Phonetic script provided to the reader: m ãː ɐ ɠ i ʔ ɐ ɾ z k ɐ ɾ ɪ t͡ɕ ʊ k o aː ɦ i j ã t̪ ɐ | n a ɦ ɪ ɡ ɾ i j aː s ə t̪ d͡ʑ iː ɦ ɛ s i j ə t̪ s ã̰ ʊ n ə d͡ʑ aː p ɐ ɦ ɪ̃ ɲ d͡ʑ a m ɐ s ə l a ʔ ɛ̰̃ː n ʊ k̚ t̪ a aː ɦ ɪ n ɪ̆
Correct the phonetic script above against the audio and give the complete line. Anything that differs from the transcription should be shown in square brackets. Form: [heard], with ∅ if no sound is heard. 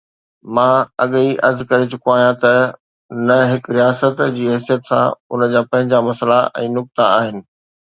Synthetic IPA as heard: m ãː ɐ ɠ i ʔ ɐ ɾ z k ɐ ɾ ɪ t͡ɕ ʊ k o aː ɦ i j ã t̪ ɐ | n [ɐ] ɦ ɪ [k] ɾ i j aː s ə t̪ d͡ʑ iː ɦ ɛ s i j ə t̪ s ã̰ ʊ n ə d͡ʑ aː p [ɐ̃] ɦ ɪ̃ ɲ d͡ʑ a m ɐ s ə l a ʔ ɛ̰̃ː n ʊ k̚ t̪ a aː ɦ ɪ n ɪ̆